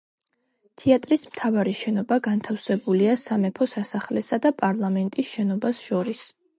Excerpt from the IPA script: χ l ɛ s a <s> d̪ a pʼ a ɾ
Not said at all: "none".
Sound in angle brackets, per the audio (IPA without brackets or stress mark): none